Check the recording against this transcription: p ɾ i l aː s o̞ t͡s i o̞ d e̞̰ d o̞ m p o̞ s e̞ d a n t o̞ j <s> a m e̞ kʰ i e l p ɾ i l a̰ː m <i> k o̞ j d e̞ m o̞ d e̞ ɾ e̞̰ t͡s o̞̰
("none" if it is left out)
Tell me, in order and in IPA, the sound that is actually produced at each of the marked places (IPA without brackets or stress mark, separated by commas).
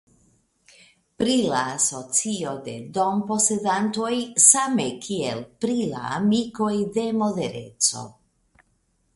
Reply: s, i